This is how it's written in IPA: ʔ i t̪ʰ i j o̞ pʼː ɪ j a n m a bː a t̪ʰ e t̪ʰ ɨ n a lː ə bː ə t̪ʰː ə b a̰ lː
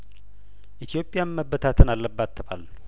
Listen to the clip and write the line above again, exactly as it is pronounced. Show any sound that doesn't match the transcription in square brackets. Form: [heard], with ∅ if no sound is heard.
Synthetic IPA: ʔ i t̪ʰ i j o̞ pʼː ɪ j a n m [ə] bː [ə] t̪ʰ [a] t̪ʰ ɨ n a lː ə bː [a] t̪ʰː ə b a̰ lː